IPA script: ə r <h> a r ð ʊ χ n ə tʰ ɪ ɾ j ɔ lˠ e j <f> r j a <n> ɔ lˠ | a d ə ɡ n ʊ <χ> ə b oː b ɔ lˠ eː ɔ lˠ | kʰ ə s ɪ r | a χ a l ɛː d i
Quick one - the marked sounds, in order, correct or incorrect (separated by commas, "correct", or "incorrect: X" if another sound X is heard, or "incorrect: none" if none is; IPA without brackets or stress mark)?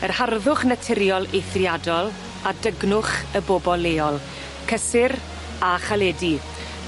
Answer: correct, incorrect: θ, incorrect: d, correct